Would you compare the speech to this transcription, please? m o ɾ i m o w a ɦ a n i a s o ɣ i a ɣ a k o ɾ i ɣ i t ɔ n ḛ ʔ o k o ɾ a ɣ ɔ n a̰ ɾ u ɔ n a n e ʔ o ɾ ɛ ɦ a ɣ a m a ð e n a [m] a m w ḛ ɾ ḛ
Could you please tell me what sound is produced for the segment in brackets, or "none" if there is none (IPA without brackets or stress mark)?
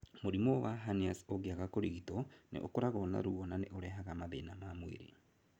m